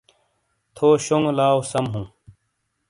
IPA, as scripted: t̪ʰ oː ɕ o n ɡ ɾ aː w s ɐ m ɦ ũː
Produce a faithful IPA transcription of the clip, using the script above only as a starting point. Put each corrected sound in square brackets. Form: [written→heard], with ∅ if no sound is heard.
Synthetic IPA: t̪ʰ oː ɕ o [n→ŋ] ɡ [ɾ→l] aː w s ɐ m ɦ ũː